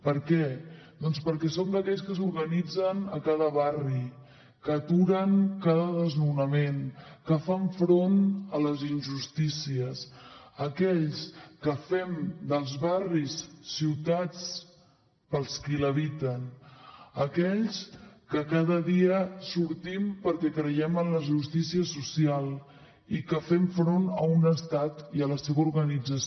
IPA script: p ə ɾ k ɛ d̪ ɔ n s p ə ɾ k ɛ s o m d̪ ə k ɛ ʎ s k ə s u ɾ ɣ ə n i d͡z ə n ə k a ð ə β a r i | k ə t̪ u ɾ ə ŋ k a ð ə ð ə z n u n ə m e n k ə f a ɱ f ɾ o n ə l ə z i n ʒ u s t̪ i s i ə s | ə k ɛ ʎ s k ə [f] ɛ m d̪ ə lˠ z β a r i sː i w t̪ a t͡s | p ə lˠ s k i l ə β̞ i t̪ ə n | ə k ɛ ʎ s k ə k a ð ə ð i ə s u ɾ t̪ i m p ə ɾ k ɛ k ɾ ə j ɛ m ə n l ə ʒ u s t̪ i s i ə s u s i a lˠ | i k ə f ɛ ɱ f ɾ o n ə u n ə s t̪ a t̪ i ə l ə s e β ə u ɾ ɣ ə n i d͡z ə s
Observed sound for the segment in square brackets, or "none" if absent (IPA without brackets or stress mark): f